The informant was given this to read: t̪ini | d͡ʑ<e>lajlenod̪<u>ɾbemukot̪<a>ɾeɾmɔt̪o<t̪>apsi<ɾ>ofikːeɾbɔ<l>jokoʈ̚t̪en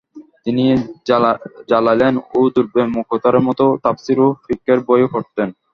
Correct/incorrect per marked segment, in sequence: incorrect: a, correct, correct, correct, correct, incorrect: none

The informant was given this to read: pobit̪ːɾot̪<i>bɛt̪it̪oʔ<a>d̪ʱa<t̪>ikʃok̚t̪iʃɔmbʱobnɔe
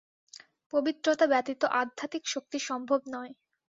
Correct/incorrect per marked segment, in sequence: incorrect: a, correct, correct

